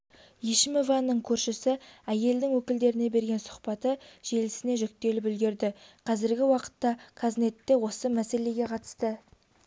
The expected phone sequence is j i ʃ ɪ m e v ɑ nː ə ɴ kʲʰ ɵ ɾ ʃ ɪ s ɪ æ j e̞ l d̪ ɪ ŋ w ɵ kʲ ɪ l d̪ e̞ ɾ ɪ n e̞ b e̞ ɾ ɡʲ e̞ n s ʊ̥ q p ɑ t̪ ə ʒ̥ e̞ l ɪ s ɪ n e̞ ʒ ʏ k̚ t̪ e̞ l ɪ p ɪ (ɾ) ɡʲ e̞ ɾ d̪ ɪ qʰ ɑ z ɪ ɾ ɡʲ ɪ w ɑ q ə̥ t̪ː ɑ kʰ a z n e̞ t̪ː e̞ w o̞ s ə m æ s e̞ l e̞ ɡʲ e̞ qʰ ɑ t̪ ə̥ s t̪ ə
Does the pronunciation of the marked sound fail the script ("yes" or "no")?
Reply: yes